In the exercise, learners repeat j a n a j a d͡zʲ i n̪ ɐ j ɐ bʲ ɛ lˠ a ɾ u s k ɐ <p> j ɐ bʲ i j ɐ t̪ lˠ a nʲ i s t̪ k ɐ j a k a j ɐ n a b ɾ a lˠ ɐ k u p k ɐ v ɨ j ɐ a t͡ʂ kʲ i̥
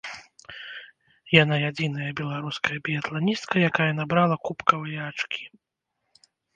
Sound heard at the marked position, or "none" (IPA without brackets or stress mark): none